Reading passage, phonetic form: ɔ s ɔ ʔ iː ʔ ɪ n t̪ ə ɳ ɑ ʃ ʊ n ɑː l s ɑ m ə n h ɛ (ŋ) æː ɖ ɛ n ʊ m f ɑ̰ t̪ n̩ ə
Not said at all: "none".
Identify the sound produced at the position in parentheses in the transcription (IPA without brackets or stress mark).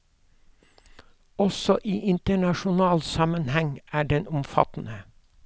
ŋ